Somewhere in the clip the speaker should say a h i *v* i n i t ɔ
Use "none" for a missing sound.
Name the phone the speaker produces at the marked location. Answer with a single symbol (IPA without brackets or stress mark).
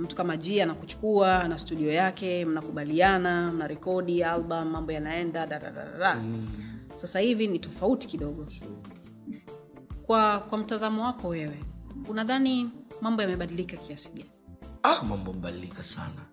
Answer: v